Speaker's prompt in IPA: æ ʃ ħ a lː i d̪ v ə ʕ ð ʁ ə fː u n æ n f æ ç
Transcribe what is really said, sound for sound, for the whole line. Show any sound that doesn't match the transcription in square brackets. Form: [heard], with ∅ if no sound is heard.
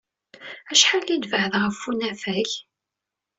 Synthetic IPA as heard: æ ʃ ħ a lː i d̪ v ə ʕ ð ʁ ə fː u n æ [∅] f æ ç